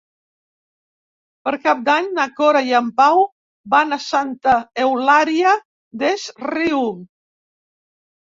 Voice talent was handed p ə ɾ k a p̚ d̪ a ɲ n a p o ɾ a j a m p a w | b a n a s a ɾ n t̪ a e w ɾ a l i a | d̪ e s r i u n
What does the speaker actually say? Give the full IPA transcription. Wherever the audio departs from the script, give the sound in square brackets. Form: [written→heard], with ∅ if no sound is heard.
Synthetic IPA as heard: p ə ɾ k a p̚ d̪ a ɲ n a [p→k] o ɾ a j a m p a w | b a n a s a [ɾ→∅] n t̪ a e w [ɾ→l] a [l→ɾ] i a | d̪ e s r i u [n→m]